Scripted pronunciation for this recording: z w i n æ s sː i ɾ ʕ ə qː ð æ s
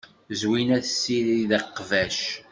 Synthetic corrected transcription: z w i n æ θ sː i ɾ ð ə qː v æ ʃ